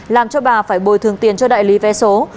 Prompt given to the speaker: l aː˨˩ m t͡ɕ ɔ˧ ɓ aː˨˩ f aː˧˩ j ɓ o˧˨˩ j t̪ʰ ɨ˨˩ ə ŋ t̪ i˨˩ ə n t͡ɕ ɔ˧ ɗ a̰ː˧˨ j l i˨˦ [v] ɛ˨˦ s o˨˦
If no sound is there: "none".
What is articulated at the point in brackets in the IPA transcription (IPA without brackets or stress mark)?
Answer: v